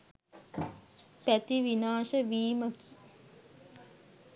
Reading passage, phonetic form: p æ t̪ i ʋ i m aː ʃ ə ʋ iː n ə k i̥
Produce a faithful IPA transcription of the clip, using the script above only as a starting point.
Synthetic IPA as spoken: p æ t̪ i ʋ i n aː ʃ ə ʋ iː m ə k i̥